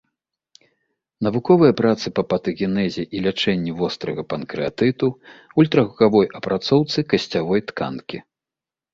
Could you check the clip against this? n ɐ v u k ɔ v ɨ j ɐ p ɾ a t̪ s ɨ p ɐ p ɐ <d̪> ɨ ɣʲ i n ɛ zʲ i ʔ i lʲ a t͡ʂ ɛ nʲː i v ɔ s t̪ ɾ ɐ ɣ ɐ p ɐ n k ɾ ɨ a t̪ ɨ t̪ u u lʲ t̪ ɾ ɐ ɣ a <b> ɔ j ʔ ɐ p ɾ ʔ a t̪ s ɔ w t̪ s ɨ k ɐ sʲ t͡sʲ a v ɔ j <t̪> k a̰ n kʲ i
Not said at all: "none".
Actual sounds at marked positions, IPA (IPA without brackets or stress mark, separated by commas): t̪, v, t̪